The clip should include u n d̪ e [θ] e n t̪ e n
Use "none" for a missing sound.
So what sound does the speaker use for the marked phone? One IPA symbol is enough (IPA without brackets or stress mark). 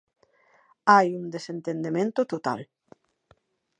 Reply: s